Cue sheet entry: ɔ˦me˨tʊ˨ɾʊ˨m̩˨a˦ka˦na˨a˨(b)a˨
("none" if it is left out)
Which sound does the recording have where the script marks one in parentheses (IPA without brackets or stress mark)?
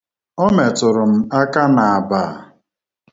b